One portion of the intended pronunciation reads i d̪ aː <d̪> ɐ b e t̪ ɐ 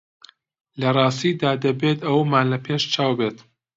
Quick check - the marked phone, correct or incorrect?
correct